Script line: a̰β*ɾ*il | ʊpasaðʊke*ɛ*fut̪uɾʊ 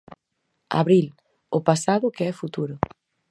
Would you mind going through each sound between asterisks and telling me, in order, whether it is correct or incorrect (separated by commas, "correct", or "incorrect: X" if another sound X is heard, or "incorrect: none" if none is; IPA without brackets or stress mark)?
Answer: correct, correct